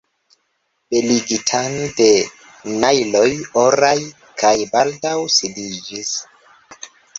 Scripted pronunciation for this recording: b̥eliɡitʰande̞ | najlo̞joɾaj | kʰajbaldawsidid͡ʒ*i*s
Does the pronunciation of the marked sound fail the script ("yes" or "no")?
no